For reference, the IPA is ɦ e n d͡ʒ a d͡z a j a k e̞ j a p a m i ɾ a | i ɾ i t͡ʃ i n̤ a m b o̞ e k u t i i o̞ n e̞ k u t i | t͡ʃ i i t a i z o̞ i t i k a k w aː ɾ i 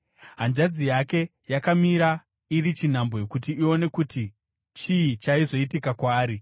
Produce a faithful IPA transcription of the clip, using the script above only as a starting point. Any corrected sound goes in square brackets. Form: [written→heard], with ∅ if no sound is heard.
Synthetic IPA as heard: ɦ [e→a] n d͡ʒ a d͡z [a→i] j a k e̞ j a [p→k] a m i ɾ a | i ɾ i t͡ʃ i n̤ a m b o̞ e k u t i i o̞ n e̞ k u t i | t͡ʃ i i [t→t͡ʃ] a i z o̞ i t i k a k w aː ɾ i